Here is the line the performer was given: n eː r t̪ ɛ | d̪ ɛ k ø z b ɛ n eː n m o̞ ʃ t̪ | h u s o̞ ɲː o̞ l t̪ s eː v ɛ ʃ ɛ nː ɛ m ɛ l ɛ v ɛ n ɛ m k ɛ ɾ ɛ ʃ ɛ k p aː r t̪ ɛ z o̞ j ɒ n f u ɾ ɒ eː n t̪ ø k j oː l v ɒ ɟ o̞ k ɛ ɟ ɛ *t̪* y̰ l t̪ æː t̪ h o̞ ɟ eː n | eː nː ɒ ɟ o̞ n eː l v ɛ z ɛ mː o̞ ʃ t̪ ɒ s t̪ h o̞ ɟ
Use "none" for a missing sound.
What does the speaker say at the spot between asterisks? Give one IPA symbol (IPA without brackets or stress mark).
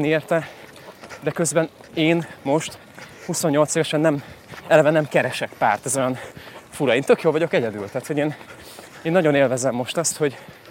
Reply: d̪